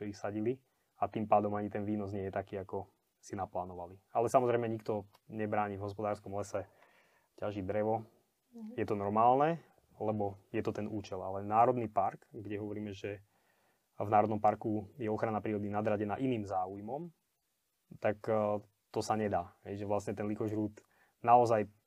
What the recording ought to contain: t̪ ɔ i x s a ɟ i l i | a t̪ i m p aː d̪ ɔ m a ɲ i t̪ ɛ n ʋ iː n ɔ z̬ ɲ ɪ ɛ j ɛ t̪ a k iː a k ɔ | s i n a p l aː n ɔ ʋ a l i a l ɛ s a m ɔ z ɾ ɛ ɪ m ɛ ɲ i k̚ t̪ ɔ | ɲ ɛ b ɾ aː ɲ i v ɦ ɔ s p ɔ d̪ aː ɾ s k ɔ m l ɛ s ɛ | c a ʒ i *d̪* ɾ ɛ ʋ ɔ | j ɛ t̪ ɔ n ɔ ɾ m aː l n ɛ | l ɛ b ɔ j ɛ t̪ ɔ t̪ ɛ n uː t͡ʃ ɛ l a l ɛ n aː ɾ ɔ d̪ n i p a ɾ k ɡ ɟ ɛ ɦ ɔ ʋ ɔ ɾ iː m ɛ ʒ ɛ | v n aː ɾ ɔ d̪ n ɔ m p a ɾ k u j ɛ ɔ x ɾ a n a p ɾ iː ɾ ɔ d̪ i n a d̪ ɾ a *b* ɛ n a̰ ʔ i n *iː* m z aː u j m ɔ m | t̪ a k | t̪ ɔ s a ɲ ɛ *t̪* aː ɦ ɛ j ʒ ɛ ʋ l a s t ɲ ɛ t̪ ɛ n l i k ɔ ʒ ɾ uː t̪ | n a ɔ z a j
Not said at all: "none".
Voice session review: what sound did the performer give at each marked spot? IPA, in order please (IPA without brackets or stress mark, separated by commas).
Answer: d̪, ɟ, iː, d̪